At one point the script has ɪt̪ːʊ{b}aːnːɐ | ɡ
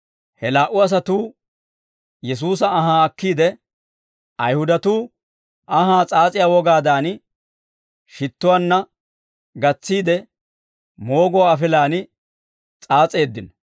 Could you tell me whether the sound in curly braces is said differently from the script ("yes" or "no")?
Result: yes